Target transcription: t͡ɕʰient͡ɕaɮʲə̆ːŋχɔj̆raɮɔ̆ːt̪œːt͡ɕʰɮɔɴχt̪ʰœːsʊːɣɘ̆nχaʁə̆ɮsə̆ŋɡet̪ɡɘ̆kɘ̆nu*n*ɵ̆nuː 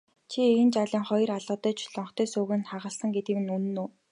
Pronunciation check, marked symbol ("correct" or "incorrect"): correct